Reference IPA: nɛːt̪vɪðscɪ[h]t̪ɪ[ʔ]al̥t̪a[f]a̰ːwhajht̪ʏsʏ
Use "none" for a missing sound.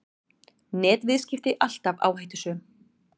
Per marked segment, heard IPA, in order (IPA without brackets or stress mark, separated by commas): f, ʔ, v